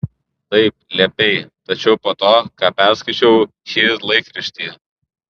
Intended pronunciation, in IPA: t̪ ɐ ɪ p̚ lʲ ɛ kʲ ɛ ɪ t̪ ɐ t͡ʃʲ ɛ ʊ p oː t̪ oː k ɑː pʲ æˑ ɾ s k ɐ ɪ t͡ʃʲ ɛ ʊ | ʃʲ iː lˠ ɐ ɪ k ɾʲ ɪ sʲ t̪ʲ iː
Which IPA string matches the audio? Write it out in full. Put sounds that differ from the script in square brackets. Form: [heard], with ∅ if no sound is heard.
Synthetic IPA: t̪ ɐ ɪ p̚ lʲ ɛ [pʲ] ɛ ɪ t̪ ɐ t͡ʃʲ ɛ ʊ p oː t̪ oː k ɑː pʲ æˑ ɾ s k ɐ ɪ t͡ʃʲ ɛ ʊ | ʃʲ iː lˠ ɐ ɪ k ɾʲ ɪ [ʃʲ] t̪ʲ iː

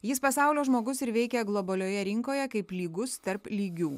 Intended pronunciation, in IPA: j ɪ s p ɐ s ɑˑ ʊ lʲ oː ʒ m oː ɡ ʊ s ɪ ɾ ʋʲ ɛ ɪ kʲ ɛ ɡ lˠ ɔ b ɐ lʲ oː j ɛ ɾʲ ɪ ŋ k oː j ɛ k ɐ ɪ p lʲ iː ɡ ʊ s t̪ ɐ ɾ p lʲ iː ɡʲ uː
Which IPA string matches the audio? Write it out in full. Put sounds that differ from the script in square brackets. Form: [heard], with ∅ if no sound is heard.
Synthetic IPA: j ɪ s p ɐ s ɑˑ ʊ lʲ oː ʒ m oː ɡ ʊ s ɪ ɾ ʋʲ ɛ ɪ kʲ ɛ ɡ lˠ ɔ b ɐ lʲ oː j ɛ ɾʲ ɪ ŋ k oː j ɛ k ɐ ɪ p lʲ iː ɡ ʊ s t̪ ɐ ɾ p lʲ iː ɡʲ uː

